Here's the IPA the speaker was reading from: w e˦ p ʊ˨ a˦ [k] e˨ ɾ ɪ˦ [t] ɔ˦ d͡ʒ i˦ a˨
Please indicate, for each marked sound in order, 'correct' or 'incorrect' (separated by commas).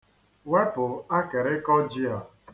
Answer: correct, incorrect